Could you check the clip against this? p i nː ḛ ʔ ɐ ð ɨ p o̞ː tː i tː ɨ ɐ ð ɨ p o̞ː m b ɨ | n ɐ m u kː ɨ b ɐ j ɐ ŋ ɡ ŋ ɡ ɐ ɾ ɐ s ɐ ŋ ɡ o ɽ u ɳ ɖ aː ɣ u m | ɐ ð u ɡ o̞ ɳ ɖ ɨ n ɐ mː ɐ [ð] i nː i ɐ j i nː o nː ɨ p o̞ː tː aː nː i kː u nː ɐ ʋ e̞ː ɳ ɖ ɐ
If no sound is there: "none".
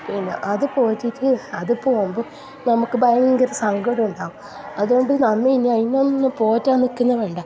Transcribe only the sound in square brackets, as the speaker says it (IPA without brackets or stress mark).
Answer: none